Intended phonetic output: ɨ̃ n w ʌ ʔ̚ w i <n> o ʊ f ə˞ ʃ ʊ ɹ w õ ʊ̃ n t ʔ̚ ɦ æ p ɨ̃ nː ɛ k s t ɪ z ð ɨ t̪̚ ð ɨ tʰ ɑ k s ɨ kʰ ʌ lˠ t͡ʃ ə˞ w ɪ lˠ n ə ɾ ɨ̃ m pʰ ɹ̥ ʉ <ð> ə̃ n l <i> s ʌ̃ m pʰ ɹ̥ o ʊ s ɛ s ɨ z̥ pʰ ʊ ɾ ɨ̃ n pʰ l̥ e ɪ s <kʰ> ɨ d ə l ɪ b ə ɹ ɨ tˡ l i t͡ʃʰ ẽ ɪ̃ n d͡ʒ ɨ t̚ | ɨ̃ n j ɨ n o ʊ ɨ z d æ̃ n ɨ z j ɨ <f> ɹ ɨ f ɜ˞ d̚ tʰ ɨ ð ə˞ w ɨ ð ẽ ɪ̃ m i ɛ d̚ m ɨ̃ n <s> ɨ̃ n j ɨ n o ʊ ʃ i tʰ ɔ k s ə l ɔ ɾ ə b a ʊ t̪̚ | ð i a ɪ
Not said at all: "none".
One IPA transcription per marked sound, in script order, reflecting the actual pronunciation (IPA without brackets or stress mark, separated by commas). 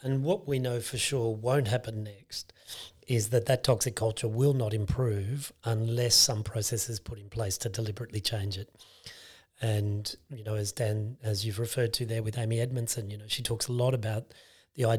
n, v, ɛ, tʰ, v, s